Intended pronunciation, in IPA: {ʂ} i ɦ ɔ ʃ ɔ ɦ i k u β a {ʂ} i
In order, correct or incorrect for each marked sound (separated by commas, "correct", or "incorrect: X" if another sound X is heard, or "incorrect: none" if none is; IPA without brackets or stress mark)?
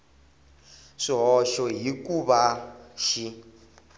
correct, incorrect: ʃ